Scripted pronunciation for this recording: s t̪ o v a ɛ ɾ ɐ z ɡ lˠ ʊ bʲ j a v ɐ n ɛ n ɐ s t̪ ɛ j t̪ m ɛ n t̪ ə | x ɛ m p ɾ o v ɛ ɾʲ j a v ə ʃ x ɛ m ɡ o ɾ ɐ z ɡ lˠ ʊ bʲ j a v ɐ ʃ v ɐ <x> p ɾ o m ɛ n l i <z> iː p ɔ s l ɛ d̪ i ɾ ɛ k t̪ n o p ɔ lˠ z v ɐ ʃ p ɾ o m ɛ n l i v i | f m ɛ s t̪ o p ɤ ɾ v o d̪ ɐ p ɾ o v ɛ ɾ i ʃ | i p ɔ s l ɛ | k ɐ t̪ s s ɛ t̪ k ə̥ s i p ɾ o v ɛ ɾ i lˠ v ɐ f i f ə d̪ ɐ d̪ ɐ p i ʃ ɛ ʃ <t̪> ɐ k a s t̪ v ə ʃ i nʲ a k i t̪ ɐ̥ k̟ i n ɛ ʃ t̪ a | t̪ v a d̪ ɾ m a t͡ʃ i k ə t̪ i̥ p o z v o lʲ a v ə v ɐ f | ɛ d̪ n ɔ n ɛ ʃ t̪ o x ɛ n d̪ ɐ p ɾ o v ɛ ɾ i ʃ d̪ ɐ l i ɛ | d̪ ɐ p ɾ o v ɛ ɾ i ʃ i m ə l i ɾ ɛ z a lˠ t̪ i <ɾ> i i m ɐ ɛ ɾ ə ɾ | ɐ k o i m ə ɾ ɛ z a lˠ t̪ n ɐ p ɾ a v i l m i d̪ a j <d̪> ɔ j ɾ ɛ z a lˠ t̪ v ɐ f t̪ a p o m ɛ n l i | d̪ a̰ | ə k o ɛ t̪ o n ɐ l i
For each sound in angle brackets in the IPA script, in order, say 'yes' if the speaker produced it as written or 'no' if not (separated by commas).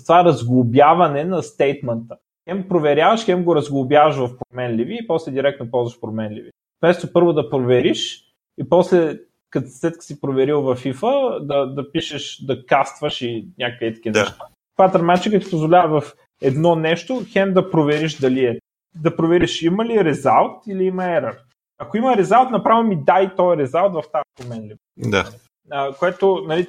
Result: no, no, no, no, no